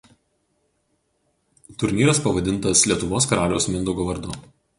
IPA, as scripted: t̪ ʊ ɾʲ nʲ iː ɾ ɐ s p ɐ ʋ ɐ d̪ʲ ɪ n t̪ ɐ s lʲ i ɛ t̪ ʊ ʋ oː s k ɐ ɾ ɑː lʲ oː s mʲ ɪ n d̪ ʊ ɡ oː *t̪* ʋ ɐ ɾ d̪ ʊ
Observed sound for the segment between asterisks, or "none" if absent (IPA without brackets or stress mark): none